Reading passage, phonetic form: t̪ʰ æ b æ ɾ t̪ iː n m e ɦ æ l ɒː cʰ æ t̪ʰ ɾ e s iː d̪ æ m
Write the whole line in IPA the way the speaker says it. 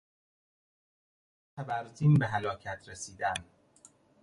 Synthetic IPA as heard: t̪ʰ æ b æ ɾ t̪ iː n b e ɦ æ l ɒː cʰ æ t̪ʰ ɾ e s iː d̪ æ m